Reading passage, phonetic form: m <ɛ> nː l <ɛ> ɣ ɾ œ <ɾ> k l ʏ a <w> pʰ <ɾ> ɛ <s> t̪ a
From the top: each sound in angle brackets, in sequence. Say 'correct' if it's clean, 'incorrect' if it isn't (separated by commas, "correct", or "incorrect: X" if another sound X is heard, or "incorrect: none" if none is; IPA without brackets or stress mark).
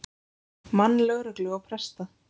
incorrect: a, incorrect: œ, incorrect: none, correct, correct, correct